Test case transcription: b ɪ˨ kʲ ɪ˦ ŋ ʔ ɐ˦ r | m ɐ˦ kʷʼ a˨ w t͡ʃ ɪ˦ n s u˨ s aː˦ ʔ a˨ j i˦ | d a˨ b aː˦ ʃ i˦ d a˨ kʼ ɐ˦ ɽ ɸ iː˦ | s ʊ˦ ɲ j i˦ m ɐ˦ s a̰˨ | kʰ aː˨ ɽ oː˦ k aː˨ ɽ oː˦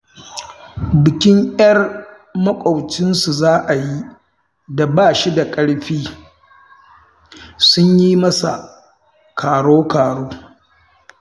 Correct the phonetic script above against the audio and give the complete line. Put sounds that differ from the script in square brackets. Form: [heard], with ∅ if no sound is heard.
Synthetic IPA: b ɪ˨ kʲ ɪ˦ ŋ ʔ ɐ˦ r | m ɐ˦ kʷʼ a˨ w t͡ʃ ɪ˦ n s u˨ [z] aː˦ ʔ a˨ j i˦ | d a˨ b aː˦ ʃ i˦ d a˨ kʼ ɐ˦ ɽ ɸ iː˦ | s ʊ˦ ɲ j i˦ m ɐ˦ s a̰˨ | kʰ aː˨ ɽ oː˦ k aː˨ ɽ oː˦